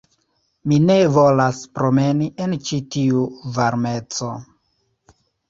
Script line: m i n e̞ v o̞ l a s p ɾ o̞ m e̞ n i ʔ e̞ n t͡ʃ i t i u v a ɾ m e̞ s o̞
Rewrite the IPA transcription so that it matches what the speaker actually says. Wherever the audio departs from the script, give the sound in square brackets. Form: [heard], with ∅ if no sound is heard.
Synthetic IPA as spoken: m i n e̞ v o̞ l a s p ɾ o̞ m e̞ n i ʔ e̞ n t͡ʃ i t i u v a ɾ m e̞ [t͡s] o̞